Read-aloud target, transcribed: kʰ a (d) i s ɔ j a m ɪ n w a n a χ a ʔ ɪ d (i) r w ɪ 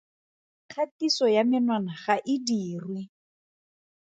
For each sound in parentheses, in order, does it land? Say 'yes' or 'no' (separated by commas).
no, no